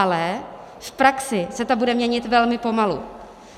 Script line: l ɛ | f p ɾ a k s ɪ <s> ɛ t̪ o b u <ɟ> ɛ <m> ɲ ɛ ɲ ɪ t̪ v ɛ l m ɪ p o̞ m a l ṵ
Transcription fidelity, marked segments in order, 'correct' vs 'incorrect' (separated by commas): correct, incorrect, correct